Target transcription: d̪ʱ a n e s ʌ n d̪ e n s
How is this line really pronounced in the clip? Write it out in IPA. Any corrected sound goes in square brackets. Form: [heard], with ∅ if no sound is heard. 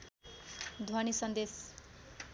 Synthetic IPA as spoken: d̪ʱ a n [i] s ʌ n d̪ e [∅] s